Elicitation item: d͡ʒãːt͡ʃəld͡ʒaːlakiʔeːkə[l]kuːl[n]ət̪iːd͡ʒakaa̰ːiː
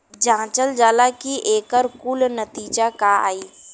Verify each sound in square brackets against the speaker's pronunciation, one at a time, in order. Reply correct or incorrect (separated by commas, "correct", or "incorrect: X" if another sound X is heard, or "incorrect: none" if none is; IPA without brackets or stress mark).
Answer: incorrect: ɾ, correct